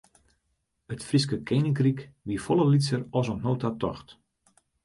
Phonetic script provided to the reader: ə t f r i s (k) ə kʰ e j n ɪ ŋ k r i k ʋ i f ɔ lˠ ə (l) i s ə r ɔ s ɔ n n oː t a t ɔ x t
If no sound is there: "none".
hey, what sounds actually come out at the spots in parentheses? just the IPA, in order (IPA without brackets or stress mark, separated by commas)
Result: k, l